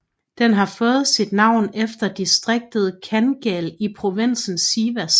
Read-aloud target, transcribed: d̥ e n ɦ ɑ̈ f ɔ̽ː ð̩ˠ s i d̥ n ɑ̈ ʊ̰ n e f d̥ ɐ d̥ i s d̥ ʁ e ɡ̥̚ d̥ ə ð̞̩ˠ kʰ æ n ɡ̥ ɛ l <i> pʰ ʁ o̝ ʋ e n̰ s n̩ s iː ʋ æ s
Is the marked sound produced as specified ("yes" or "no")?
yes